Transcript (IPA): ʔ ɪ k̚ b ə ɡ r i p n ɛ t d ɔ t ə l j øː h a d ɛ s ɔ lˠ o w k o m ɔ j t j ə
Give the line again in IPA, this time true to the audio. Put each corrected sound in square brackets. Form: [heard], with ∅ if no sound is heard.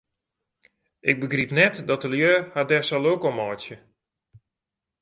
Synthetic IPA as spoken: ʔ ɪ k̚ b ə ɡ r i p n ɛ t d ɔ t ə l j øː h a d ɛ s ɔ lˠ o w k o m ɔ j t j ə